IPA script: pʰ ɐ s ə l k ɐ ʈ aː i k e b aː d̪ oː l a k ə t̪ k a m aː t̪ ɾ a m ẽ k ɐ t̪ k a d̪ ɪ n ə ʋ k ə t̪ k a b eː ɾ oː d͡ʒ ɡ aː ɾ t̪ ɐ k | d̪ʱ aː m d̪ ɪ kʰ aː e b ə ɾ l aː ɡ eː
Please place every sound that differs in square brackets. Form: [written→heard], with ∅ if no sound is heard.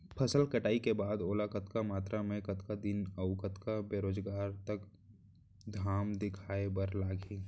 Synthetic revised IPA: pʰ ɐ s ə l k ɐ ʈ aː i k e b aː d̪ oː l a k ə t̪ k a m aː t̪ ɾ a m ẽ k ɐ t̪ k a d̪ ɪ n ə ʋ k ə t̪ k a b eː ɾ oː d͡ʒ ɡ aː ɾ t̪ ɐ k | d̪ʱ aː m d̪ ɪ kʰ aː e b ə ɾ l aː ɡ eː